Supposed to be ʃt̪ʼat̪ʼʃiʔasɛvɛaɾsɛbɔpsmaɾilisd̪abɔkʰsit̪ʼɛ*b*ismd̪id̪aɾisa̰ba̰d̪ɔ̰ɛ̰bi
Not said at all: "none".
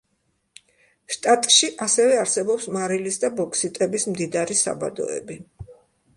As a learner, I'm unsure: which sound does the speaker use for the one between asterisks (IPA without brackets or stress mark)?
b